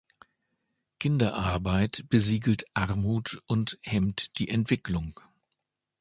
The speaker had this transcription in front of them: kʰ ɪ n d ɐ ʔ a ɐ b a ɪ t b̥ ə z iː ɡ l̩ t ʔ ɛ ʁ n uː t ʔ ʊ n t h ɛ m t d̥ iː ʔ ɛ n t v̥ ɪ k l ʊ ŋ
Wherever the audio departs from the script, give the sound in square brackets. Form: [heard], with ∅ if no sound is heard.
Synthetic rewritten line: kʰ ɪ n d ɐ ʔ a ɐ b a ɪ t b̥ ə z iː ɡ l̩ t ʔ [a] ʁ [m] uː t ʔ ʊ n t h ɛ m t d̥ iː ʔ ɛ n t v̥ ɪ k l ʊ ŋ